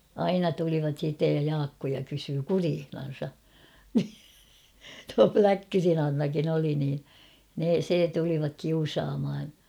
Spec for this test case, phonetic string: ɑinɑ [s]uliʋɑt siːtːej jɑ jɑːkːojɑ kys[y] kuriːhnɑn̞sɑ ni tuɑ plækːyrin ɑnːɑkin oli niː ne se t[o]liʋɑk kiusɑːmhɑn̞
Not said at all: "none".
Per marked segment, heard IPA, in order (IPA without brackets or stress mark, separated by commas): t, yː, u